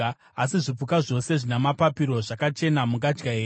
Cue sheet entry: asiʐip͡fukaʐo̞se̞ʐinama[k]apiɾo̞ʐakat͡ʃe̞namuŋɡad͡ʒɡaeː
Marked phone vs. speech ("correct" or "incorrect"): incorrect